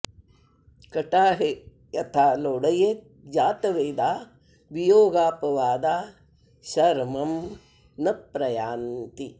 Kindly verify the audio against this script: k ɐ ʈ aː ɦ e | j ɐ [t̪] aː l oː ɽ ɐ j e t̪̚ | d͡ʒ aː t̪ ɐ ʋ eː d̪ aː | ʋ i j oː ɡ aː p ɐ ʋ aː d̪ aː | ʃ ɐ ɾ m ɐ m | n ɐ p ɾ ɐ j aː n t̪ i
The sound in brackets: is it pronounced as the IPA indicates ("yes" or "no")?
no